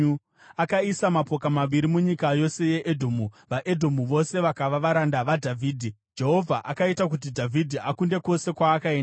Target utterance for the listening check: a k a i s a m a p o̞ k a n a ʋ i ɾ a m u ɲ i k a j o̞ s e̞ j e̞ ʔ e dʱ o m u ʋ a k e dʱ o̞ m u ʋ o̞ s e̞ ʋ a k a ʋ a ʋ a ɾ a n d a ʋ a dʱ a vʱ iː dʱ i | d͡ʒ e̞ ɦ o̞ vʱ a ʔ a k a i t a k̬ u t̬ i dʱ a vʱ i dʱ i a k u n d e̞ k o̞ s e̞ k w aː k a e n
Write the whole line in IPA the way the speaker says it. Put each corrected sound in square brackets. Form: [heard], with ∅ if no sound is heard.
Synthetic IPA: a k a i s a m a p o̞ k a [m] a ʋ i ɾ [i] m u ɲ i k a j o̞ s e̞ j e̞ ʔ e dʱ o m u ʋ a [ʔ] e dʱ o̞ m u ʋ o̞ s e̞ ʋ a k a ʋ a ʋ a ɾ a n d a ʋ a dʱ a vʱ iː dʱ i | d͡ʒ e̞ ɦ o̞ vʱ a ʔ a k a i t a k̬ u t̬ i dʱ a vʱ i dʱ i a k u n d e̞ k o̞ s e̞ k w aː k a e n

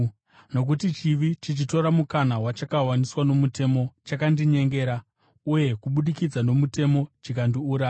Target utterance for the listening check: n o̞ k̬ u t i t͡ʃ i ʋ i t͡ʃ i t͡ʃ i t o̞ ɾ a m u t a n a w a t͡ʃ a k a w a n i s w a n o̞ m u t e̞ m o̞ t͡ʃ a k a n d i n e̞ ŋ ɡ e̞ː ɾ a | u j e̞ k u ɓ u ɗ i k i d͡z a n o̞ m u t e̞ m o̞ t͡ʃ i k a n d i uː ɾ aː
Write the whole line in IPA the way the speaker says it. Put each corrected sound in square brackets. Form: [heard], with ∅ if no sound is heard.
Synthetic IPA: n o̞ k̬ u t i t͡ʃ i ʋ i t͡ʃ i t͡ʃ i t o̞ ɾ a m u [k] a n a w a t͡ʃ a k a w a n i s w a n o̞ m u t e̞ m o̞ t͡ʃ a k a n d i [ɲ] e̞ ŋ ɡ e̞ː ɾ a | u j e̞ k u ɓ u ɗ i k i d͡z a n o̞ m u t e̞ m o̞ t͡ʃ i k a n d i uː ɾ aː

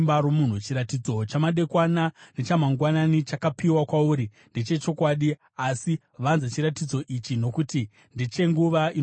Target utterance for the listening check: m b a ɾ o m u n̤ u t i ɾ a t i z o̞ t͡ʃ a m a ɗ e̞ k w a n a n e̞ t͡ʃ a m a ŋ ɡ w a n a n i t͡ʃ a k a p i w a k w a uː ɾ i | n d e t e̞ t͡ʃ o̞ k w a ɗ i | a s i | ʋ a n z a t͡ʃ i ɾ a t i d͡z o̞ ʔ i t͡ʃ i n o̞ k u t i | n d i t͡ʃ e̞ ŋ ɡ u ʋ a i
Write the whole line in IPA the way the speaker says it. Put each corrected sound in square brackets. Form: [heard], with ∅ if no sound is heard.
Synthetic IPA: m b a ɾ o m u n̤ u [t͡ʃ] i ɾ a t i [d͡z] o̞ t͡ʃ a m a ɗ e̞ k w a n a n e̞ t͡ʃ a m a ŋ ɡ w a n a n i t͡ʃ a k a p i w a k w a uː ɾ i | n d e [t͡ʃ] e̞ t͡ʃ o̞ k w a ɗ i | a s i | ʋ a n z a t͡ʃ i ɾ a t i d͡z o̞ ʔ i t͡ʃ i n o̞ k u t i | n d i t͡ʃ e̞ ŋ ɡ u ʋ a i

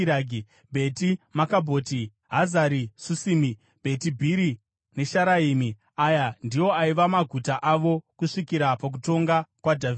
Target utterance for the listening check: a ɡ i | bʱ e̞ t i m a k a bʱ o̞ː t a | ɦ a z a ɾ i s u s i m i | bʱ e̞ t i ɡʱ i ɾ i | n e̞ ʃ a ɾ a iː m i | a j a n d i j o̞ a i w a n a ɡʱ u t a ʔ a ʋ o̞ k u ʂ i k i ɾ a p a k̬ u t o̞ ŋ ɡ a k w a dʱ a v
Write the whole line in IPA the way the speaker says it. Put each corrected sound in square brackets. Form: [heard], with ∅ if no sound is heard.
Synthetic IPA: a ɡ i | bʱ e̞ t i m a k a bʱ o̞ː t [i] | ɦ a z a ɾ i s u s i m i | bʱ e̞ t i [bʱ] i ɾ i | n e̞ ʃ a ɾ a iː m i | a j a n d i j o̞ a i [ʋ] a [m] a ɡʱ u t a ʔ a ʋ o̞ k u ʂ i k i ɾ a p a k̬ u t o̞ ŋ ɡ a k w a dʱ a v

